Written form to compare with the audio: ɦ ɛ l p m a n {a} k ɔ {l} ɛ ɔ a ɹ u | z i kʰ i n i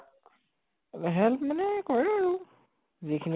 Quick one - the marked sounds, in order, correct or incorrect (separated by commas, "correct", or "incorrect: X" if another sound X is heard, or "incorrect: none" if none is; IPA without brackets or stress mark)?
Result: incorrect: ɛ, incorrect: ɹ